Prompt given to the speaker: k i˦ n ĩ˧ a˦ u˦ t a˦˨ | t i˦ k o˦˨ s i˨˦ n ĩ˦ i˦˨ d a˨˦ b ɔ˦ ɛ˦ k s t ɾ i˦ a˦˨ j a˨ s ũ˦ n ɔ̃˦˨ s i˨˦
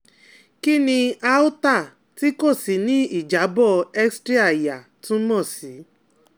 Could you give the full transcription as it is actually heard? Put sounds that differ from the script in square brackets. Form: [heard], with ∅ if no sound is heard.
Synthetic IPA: k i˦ n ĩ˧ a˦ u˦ t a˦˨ | t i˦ k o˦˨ s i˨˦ n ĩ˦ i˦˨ [d͡ʒ] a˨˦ b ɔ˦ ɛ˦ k s t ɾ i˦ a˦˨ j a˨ [t] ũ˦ [m] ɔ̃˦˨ s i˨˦